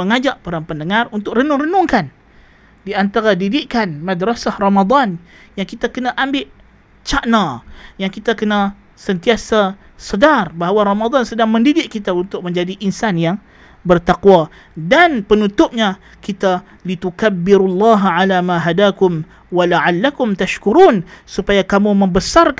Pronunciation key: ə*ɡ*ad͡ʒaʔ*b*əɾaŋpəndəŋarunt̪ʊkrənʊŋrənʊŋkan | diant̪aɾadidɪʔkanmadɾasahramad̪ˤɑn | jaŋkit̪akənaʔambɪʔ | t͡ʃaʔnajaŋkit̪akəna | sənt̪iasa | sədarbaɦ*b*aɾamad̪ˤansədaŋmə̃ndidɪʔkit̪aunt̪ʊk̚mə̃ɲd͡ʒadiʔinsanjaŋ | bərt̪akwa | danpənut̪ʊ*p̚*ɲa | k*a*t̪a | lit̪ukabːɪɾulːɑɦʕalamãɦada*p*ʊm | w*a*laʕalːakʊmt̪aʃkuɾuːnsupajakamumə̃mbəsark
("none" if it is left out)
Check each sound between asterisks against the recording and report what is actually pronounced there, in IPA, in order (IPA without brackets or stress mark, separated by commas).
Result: ŋ, p, w, p̚, i, k, a